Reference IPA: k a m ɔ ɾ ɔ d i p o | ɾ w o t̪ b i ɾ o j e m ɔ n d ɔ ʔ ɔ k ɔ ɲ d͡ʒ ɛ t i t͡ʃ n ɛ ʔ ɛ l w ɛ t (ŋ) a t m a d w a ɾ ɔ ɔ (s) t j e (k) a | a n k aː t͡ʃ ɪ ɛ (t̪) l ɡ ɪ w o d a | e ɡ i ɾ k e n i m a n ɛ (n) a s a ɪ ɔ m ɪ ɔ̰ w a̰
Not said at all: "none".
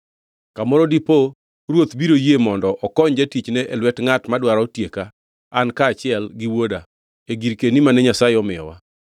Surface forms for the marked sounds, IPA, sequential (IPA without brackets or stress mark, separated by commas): ŋ, none, k, none, ɲ